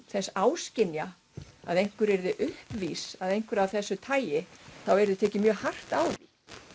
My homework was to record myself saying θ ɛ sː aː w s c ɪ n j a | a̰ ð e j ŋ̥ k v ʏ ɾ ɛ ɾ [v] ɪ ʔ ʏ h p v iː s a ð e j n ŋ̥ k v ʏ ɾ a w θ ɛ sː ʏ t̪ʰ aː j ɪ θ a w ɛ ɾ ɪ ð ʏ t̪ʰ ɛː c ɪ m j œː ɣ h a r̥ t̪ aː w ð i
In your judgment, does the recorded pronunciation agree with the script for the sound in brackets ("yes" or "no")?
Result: no